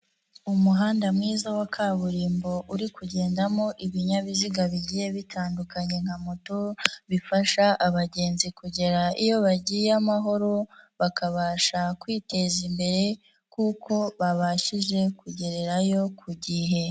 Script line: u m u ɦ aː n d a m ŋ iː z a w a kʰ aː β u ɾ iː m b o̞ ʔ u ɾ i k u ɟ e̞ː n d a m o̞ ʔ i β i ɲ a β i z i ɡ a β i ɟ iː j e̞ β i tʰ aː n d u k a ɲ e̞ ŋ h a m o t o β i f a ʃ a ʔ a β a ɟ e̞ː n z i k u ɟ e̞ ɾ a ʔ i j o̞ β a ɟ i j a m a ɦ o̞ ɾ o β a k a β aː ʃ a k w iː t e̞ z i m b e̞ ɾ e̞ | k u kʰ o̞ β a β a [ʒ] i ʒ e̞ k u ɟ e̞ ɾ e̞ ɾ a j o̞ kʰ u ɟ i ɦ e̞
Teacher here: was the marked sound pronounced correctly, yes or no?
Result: no